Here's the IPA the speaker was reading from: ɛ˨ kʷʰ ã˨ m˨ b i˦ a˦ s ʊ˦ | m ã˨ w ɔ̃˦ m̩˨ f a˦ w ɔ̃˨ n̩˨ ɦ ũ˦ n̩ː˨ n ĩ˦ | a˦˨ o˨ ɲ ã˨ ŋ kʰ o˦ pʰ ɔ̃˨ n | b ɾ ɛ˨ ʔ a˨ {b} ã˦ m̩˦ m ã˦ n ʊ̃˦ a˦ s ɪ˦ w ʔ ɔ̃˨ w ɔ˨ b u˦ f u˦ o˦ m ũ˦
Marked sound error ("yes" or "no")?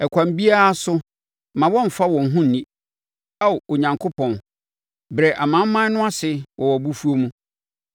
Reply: yes